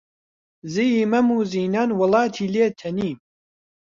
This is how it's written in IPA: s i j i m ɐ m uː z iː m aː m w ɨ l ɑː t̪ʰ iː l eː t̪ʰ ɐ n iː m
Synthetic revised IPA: z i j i m ɐ m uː z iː n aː n w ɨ l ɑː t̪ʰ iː l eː t̪ʰ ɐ n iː m

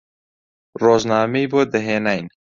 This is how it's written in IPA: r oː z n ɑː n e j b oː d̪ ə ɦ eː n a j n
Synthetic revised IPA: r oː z n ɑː m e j b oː d̪ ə ɦ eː n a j n

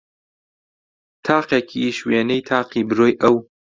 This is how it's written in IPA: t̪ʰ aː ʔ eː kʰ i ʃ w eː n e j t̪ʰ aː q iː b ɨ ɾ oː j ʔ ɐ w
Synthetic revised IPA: t̪ʰ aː q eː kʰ i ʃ w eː n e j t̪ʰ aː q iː b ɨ ɾ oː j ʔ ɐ w

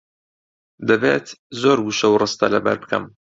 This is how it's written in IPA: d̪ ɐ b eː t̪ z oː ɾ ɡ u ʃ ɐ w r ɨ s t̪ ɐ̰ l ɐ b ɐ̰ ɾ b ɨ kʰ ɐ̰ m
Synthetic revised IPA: d̪ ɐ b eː t̪ z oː ɾ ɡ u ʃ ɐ w r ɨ s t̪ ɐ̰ l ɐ b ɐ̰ ɾ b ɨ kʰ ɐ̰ m

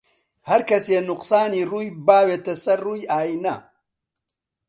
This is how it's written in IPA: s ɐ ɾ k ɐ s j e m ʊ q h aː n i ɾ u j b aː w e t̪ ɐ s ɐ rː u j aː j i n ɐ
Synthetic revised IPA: h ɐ ɾ k ɐ s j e n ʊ q s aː n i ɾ u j b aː w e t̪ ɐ s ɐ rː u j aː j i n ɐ

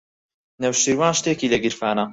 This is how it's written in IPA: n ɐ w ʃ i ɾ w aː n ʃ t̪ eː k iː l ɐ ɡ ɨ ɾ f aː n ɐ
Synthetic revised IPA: n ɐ w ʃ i ɾ w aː n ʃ t̪ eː k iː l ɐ ɡ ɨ ɾ f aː n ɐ

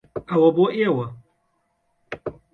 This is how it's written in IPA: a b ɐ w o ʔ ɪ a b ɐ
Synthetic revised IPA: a w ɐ b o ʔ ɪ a w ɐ

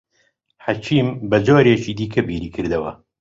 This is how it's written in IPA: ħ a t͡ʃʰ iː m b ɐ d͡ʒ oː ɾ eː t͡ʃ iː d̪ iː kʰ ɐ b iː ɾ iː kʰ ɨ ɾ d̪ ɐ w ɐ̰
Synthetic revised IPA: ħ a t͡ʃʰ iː m b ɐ d͡ʒ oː ɾ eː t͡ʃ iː d̪ iː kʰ ɐ b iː ɾ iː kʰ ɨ ɾ d̪ ɐ w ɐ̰

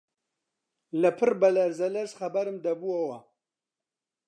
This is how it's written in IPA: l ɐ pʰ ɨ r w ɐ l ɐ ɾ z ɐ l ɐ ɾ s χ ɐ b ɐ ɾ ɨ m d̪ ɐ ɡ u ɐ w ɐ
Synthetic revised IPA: l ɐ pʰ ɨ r b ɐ l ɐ ɾ z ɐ l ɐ ɾ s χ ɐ b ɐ ɾ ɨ m d̪ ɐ b u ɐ w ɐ

